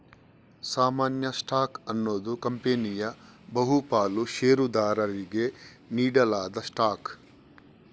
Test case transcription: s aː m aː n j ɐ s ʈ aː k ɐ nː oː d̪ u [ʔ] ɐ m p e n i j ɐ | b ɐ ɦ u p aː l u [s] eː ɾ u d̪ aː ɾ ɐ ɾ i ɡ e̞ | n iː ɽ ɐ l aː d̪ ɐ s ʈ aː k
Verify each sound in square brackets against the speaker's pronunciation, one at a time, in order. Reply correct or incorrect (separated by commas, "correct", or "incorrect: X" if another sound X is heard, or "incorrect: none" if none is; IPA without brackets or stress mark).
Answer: incorrect: k, incorrect: ʃ